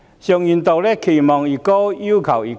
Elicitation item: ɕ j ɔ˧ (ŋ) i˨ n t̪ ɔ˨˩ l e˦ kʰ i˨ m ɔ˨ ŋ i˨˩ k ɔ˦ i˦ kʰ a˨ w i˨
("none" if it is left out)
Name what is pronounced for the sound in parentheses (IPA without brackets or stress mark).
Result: ŋ